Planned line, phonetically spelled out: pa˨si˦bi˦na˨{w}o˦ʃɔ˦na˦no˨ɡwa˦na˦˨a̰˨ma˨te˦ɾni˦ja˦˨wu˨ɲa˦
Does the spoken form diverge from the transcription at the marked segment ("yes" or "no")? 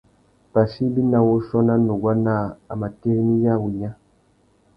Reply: no